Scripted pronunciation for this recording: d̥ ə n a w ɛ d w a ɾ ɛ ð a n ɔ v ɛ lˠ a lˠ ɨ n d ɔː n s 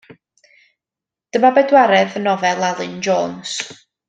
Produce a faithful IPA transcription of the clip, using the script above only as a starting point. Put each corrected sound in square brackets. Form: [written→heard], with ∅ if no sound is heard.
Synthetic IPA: d̥ ə [n→m] a [w→b] ɛ d w a ɾ ɛ ð [a→ə] n ɔ v ɛ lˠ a lˠ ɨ n [d→d͡ʒ] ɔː n s